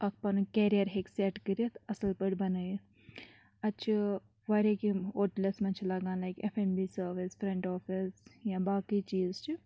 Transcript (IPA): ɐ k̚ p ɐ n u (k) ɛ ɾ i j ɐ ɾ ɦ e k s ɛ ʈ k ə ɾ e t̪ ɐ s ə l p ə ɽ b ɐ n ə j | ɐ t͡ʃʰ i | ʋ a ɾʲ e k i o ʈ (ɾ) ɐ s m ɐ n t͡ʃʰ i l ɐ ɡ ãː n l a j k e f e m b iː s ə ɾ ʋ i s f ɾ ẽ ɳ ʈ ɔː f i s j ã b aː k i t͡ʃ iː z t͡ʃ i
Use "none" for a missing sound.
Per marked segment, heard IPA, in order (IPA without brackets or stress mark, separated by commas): k, l